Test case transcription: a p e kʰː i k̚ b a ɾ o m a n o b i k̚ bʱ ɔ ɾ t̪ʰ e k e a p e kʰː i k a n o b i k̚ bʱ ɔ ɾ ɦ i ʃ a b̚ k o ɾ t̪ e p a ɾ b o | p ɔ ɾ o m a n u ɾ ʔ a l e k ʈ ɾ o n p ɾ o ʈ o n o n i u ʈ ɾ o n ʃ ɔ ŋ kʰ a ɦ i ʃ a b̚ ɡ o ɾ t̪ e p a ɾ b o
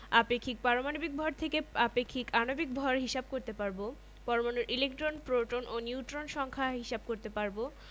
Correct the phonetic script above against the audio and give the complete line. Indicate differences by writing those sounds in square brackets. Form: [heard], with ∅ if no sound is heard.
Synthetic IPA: a p e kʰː i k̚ [p] a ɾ o m a n o b i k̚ bʱ ɔ ɾ t̪ʰ e k e a p e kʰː i k a n o b i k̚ bʱ ɔ ɾ ɦ i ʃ a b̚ k o ɾ t̪ e p a ɾ b o | p ɔ ɾ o m a n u ɾ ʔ [i] l e k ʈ ɾ o n p ɾ o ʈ o n o n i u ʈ ɾ o n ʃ ɔ ŋ kʰ a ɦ i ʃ a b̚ [k] o ɾ t̪ e p a ɾ b o